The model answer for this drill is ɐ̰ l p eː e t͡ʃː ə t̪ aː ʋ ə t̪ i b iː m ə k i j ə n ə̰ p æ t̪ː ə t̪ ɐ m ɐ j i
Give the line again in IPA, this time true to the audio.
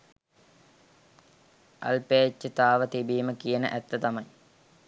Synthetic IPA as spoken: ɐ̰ l p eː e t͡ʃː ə t̪ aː ʋ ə t̪ i b iː m ə k i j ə n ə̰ ʔ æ t̪ː ə t̪ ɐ m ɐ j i